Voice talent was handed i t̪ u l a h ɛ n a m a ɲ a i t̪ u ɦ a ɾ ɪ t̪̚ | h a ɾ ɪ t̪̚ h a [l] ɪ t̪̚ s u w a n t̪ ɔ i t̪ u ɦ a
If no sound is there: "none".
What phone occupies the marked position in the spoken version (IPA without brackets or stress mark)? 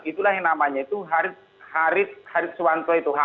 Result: ɾ